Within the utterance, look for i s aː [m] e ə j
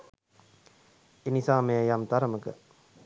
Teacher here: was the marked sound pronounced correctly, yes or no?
yes